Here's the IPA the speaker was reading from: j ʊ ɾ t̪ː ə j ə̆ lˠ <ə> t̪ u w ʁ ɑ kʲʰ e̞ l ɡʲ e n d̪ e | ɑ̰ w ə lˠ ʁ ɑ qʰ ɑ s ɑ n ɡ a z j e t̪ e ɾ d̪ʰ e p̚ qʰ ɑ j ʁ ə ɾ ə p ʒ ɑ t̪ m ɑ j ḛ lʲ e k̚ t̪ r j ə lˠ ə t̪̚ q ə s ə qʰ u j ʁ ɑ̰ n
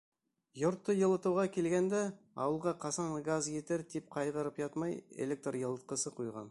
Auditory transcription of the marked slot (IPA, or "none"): ə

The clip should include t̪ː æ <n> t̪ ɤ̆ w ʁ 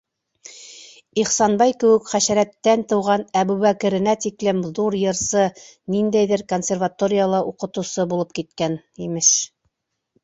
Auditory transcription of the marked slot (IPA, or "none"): n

